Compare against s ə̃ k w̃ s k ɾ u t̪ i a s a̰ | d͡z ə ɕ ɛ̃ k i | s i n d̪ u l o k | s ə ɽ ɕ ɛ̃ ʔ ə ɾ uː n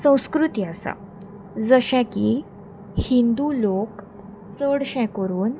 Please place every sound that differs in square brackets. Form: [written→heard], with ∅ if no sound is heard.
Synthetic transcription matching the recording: s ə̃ [k→∅] w̃ s k ɾ u t̪ i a s a̰ | d͡z ə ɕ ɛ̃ k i | [s→h] i n d̪ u l o k | [s→t͡s] ə ɽ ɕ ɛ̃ [ʔ→k] ə ɾ uː n